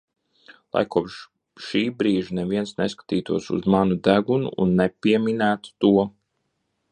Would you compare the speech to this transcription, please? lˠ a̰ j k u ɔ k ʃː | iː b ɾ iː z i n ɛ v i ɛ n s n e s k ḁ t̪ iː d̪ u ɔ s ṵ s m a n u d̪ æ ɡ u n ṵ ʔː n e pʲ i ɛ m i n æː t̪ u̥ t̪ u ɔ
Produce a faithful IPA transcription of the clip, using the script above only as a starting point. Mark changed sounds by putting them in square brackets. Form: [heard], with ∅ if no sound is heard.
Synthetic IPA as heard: lˠ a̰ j k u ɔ [p] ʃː | iː b ɾ iː [ʒ] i n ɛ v i ɛ n s n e s k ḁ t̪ iː [t̪] u ɔ s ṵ [z] m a n u d̪ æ ɡ u n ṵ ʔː [nː] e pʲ i ɛ m i n æː t̪ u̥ t̪ u ɔ